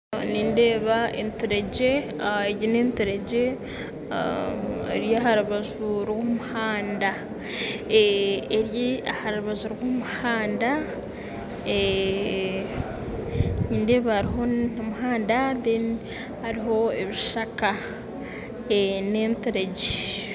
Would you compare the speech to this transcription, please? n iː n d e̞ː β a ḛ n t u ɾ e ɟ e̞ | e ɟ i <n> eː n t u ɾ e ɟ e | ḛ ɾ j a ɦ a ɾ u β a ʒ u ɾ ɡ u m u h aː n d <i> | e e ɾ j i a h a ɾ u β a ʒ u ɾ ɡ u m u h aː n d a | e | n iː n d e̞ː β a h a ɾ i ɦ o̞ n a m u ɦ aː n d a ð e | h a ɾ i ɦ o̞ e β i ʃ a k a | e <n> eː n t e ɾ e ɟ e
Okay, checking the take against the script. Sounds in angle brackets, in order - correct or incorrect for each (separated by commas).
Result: correct, incorrect, correct